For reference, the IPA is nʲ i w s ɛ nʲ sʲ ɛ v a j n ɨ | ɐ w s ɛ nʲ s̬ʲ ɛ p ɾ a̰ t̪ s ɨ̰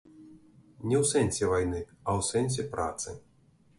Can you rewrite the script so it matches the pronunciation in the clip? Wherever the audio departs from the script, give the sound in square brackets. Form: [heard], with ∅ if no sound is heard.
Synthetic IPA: nʲ [ɛ] w s ɛ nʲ sʲ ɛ v a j n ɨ | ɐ w s ɛ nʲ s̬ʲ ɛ p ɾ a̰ t̪ s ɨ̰